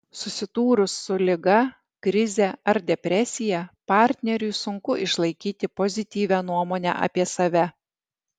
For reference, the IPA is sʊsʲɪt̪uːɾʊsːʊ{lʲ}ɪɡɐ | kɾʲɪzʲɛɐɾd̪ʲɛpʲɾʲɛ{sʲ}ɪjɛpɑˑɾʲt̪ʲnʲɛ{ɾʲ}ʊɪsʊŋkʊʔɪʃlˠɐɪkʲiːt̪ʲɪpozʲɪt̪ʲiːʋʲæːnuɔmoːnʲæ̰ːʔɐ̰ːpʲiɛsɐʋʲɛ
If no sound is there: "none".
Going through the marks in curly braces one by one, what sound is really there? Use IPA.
lʲ, sʲ, ɾʲ

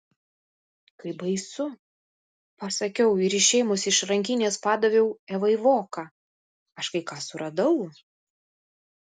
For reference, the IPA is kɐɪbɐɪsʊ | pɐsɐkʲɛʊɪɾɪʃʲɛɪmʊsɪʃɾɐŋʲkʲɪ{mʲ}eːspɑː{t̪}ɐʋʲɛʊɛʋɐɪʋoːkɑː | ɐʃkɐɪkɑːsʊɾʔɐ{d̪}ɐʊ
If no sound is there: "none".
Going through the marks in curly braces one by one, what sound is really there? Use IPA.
nʲ, d̪, d̪

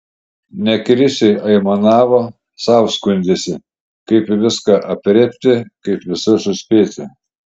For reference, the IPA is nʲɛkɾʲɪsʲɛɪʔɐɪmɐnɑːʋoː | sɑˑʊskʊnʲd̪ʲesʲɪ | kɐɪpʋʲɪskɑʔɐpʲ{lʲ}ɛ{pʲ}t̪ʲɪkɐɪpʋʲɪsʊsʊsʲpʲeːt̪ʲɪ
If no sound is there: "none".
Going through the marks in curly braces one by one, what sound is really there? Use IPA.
ɾʲ, pʲ

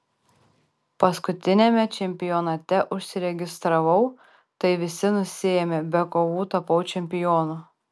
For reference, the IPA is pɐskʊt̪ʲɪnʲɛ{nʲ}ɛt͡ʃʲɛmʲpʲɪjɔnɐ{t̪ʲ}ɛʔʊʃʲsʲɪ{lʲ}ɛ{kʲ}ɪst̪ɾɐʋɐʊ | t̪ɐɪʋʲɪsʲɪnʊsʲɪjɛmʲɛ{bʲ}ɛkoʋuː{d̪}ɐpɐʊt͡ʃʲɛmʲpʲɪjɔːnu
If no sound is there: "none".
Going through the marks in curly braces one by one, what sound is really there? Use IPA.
mʲ, t̪ʲ, ɾʲ, ɡʲ, bʲ, t̪

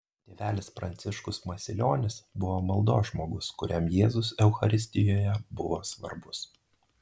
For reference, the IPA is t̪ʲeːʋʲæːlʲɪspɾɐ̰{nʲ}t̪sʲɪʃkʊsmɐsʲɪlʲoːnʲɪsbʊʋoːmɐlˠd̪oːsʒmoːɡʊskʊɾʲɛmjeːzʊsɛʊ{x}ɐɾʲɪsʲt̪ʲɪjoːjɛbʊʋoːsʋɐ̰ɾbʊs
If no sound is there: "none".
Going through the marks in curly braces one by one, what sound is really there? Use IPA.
nʲ, x

